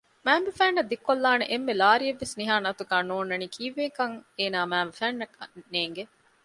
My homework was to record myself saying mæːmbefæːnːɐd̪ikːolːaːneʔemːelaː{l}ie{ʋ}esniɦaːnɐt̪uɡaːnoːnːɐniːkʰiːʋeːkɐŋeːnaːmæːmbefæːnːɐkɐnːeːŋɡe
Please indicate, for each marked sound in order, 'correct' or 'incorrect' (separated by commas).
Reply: incorrect, incorrect